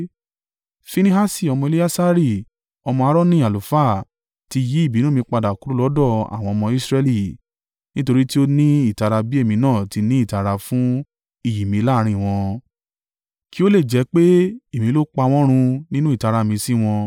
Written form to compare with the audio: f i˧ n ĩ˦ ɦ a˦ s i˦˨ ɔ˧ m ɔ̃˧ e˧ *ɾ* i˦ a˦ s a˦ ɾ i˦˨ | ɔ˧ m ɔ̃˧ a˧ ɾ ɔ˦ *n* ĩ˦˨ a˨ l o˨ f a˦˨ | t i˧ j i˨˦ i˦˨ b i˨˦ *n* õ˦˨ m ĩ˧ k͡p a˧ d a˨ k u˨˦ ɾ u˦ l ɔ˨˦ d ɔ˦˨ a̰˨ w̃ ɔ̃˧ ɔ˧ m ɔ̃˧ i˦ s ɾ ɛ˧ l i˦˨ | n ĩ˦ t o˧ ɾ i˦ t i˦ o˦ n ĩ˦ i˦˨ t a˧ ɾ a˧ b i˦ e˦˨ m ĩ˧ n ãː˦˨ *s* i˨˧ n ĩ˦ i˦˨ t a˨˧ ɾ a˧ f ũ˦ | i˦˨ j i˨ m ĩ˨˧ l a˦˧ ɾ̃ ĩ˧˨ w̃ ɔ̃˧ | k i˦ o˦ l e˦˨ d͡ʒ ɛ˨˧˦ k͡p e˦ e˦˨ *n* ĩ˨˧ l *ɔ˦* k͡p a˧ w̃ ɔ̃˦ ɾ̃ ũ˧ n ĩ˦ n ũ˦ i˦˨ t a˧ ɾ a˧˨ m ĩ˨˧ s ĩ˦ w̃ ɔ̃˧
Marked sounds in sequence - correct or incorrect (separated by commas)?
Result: incorrect, correct, correct, incorrect, incorrect, incorrect